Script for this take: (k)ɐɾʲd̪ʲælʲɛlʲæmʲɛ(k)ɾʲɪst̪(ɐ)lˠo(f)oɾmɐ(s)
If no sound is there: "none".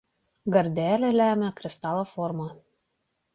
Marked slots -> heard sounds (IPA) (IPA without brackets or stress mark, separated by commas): ɡ, k, ɑ, f, none